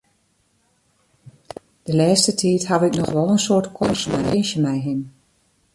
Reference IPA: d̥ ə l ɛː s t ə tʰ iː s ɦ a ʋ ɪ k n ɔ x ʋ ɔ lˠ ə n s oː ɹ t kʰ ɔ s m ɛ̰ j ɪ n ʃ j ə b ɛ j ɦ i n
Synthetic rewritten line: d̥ ə l ɛː s t ə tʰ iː t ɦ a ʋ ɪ k n ɔ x ʋ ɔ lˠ ə n s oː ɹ t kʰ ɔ s m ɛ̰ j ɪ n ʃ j ə m ɛ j ɦ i n